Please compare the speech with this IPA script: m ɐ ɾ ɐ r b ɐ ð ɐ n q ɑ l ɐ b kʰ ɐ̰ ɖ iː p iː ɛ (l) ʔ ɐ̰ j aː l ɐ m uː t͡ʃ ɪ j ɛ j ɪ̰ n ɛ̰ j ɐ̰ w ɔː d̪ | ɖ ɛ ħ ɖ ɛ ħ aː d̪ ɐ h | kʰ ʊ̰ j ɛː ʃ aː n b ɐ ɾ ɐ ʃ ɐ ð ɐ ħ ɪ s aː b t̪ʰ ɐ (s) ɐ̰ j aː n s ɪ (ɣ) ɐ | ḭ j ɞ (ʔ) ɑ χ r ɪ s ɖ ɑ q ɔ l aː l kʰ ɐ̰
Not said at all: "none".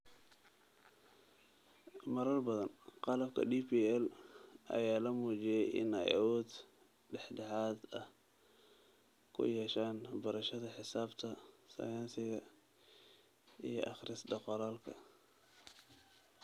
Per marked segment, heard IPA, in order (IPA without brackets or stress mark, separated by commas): l, s, ɣ, ʔ